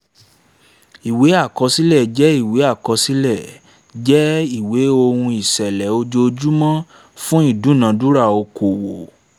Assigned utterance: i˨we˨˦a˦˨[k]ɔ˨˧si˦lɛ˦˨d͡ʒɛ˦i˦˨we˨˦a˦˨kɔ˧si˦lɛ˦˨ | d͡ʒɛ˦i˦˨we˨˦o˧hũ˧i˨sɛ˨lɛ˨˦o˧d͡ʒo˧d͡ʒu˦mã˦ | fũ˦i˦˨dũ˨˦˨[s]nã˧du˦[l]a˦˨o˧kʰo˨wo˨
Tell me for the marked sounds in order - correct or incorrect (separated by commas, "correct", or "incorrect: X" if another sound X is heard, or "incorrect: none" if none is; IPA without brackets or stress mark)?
correct, incorrect: none, incorrect: ɾ